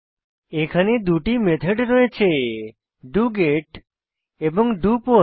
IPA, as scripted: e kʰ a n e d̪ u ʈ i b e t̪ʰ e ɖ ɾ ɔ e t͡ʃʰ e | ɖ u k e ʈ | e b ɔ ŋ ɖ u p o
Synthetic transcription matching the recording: e kʰ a n e d̪ u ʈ i m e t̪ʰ e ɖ ɾ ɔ e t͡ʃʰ e | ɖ u ɡ e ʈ | e b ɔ ŋ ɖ u p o